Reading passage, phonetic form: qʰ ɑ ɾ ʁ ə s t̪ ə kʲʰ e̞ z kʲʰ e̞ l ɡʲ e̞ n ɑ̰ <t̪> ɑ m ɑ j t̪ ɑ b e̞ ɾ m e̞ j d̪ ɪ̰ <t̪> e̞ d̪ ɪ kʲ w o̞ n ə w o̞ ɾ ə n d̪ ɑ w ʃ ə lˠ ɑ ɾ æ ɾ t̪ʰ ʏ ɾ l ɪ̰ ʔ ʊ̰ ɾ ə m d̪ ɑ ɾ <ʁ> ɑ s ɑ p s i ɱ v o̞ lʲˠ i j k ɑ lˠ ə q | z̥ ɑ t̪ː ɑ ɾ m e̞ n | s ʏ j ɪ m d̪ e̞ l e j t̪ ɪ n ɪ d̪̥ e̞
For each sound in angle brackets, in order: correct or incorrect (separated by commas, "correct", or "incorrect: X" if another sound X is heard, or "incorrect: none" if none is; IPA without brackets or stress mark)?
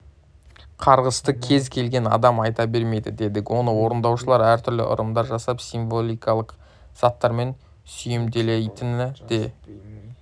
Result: incorrect: d̪, incorrect: d̪, incorrect: ʒ